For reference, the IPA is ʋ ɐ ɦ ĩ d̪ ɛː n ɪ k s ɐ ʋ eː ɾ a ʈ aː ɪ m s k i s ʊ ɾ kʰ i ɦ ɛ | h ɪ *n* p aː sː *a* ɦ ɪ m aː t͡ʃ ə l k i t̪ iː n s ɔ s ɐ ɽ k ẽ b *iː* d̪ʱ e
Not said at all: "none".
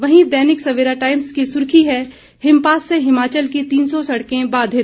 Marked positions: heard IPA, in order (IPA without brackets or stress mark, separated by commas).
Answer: m, e, aː